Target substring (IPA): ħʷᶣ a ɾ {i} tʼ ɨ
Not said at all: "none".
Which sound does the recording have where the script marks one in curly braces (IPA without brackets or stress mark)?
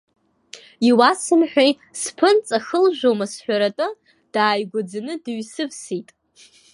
a